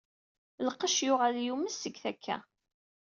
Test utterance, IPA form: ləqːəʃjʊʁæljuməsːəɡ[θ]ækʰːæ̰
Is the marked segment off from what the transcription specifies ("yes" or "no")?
no